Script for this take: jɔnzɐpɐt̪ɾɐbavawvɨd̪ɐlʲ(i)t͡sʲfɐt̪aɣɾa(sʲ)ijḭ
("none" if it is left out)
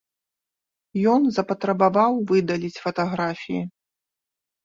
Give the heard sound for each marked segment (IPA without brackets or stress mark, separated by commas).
i, fʲ